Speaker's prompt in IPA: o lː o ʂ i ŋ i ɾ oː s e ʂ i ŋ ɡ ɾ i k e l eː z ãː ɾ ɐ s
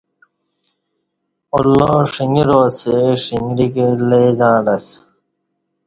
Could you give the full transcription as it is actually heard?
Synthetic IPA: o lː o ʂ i ŋ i ɾ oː s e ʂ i ŋ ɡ ɾ i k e l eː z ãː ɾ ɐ s